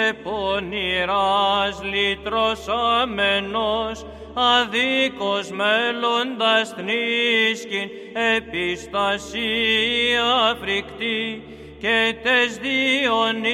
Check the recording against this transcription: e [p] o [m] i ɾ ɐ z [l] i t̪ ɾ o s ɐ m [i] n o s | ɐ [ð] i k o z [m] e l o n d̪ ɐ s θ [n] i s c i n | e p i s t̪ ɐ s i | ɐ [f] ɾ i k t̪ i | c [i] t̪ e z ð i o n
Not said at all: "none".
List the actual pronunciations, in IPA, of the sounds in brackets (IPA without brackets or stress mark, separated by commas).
p, n, l, e, ð, m, n, f, e